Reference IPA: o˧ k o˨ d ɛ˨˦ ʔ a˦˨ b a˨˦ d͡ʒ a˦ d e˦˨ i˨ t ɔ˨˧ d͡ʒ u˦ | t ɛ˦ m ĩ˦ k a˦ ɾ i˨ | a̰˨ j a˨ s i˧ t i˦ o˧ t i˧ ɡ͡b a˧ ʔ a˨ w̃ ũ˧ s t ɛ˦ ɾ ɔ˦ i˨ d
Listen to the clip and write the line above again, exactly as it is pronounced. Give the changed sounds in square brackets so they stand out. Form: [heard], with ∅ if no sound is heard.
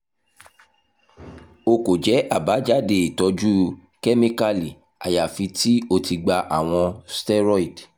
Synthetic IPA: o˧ k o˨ [d͡ʒ] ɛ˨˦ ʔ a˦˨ b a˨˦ d͡ʒ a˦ d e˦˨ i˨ t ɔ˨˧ d͡ʒ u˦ | [k] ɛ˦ m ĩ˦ k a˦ [l] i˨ | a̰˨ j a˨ [f] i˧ t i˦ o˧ t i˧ ɡ͡b a˧ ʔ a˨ w̃ [ɔ̃˧] s t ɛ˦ ɾ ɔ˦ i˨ d